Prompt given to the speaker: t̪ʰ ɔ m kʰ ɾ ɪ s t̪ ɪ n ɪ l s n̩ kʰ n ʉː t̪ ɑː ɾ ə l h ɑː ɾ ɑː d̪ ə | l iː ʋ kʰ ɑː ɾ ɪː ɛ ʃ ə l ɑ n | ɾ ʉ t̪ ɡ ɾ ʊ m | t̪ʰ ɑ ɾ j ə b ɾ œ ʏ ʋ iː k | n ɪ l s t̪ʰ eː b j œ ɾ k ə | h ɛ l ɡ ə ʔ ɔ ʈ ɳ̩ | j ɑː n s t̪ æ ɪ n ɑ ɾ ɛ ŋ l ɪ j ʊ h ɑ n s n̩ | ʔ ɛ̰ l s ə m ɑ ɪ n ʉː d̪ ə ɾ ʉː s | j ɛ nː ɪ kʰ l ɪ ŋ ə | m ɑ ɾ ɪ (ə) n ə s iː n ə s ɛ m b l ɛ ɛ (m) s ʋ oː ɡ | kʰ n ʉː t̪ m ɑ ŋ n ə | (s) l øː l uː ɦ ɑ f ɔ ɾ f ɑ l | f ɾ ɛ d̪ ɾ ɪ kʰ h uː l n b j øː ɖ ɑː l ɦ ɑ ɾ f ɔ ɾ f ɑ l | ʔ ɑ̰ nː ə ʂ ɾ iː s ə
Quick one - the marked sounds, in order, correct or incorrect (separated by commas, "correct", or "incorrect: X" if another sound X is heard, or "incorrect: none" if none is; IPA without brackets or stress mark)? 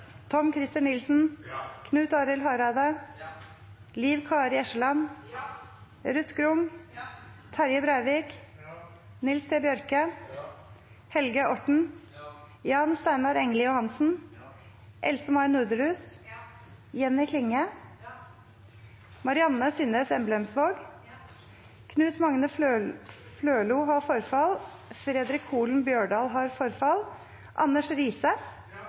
incorrect: ɑ, correct, incorrect: f